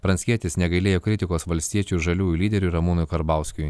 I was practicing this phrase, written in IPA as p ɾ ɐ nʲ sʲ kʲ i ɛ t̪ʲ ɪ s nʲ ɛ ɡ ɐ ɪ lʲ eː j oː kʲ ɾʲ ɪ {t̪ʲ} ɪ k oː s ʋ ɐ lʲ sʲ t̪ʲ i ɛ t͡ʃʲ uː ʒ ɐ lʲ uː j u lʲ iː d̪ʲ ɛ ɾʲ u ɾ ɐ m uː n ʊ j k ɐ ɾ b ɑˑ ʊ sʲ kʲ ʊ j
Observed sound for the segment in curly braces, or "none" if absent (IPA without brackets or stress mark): t̪ʲ